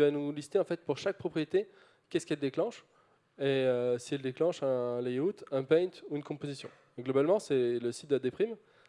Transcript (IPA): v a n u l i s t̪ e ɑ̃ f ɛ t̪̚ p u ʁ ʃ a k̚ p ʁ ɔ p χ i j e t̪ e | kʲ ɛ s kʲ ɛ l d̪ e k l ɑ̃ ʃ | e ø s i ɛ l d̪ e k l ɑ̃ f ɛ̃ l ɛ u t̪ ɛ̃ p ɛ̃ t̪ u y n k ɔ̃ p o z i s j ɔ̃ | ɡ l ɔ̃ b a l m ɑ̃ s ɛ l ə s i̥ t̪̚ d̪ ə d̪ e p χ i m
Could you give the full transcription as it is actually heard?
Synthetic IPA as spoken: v a n u l i s t̪ e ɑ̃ f ɛ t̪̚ p u ʁ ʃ a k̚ p χ ɔ p χ i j e t̪ e | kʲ ɛ s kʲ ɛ l d̪ e k l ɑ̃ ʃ | e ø s i ɛ l d̪ e k l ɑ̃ ʃ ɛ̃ l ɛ u t̪ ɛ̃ p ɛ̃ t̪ u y n k ɔ̃ p o z i s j ɔ̃ | ɡ l ɔ b a l m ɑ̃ s ɛ l ə s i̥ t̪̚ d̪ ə d̪ e p χ i m